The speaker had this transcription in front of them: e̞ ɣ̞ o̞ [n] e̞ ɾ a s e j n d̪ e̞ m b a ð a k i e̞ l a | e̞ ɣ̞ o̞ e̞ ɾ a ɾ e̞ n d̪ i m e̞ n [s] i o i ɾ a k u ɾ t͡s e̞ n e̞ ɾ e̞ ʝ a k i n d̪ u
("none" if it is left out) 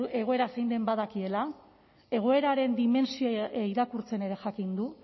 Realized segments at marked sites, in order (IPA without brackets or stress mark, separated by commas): none, s